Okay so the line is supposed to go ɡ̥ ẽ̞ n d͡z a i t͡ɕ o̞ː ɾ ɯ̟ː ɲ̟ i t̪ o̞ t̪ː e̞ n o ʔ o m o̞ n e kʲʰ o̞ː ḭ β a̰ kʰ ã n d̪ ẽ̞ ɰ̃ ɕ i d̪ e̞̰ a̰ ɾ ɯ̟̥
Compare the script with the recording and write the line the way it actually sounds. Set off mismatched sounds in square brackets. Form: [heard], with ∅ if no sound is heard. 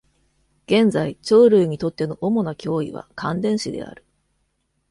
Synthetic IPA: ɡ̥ ẽ̞ n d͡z a i t͡ɕ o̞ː ɾ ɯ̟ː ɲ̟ i t̪ o̞ t̪ː e̞ n o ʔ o m o̞ n [a] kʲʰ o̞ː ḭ β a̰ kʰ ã n d̪ ẽ̞ ɰ̃ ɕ i d̪ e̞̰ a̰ ɾ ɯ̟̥